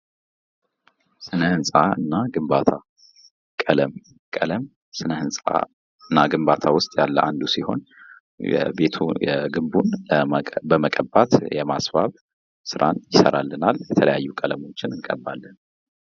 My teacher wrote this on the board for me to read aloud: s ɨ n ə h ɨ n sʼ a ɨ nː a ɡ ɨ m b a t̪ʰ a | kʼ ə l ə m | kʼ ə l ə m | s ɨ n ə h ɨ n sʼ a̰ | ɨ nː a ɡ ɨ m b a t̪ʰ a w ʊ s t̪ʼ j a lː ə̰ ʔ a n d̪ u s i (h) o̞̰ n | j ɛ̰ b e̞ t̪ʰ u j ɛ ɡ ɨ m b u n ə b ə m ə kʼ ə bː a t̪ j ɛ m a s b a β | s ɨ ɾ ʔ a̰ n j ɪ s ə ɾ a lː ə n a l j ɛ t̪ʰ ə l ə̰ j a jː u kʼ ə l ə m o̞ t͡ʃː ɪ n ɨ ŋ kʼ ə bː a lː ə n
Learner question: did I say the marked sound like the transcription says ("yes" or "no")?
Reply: yes